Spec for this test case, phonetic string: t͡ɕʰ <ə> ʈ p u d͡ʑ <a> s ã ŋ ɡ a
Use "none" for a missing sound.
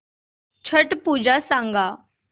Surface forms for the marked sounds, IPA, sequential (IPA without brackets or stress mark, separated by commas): ə, a